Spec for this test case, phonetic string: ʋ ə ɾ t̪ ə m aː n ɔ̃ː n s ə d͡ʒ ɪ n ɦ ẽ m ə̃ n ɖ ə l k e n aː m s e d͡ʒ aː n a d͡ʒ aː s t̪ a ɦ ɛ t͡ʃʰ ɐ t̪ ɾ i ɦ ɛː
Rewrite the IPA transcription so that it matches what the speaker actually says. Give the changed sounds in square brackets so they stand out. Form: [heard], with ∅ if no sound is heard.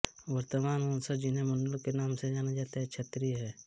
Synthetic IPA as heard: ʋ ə ɾ t̪ ə m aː n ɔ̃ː n s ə d͡ʒ ɪ n ɦ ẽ m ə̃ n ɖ ə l k e n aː m s e d͡ʒ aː n a d͡ʒ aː [∅] t̪ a ɦ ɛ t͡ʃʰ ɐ t̪ ɾ i ɦ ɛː